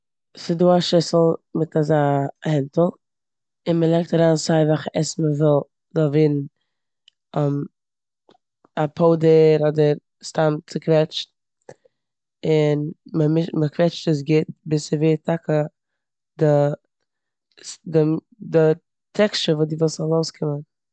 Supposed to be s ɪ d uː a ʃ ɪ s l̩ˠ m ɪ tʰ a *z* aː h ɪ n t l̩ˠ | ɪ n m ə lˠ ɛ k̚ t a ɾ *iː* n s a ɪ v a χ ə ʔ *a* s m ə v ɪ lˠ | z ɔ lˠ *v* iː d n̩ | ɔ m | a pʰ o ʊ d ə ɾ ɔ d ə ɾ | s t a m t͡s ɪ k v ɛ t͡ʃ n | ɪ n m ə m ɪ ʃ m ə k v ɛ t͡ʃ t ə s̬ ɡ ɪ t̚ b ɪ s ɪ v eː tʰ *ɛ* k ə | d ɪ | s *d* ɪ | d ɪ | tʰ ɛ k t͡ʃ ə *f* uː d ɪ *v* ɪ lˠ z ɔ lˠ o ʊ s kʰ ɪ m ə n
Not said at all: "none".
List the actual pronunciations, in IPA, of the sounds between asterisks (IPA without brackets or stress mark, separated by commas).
z, aː, ɛ, v, a, d, v, v